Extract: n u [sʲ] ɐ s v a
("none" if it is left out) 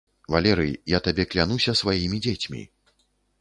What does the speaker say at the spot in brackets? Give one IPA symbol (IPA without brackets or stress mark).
sʲ